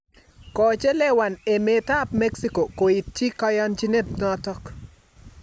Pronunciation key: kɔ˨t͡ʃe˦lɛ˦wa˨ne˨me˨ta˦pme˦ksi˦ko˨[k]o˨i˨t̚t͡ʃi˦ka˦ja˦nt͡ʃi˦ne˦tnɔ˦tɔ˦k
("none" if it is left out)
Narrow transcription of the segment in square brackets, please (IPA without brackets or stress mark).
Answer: k